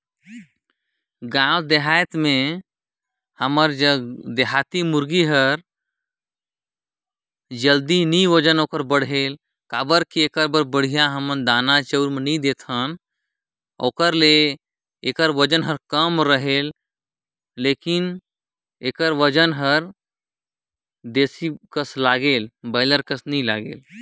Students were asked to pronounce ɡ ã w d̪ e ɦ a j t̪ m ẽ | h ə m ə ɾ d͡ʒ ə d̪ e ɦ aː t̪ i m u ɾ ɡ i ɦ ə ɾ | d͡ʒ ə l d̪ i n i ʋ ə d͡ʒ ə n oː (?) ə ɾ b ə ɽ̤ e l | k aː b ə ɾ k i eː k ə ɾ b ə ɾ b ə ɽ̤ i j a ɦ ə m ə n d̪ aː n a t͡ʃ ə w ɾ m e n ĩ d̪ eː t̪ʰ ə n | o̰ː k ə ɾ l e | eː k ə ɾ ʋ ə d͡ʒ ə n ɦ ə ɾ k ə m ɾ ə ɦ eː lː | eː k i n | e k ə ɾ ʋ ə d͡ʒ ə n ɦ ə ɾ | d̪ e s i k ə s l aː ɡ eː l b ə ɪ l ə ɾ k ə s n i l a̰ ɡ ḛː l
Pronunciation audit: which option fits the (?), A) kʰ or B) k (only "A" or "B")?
B